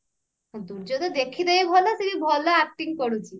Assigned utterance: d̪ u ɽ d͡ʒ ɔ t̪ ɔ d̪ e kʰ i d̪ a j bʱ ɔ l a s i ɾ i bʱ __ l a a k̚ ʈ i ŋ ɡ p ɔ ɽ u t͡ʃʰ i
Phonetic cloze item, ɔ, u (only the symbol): ɔ